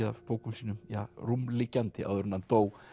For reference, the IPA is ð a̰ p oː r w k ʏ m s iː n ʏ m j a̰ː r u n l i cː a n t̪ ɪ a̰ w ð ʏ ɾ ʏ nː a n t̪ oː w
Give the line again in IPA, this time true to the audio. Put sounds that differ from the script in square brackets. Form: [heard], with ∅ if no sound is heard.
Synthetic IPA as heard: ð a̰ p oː [∅] w k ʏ m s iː n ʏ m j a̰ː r u [m] l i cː a n t̪ ɪ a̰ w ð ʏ ɾ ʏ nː a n t̪ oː w